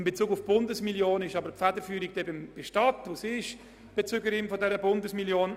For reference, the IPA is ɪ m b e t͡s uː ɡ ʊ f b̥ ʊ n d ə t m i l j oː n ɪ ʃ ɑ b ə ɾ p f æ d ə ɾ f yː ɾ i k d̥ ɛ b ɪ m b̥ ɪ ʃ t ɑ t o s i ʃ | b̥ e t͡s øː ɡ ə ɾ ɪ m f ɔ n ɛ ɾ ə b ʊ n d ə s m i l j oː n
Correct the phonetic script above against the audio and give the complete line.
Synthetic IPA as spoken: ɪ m b e t͡s uː ɡ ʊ f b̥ ʊ n d ə s m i l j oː n ɪ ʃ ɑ b ə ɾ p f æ d ə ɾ f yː ɾ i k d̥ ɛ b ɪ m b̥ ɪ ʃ t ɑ t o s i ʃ | b̥ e t͡s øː ɡ ə ɾ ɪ m f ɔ d ɛ ɾ ə b ʊ n d ə s m i l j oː n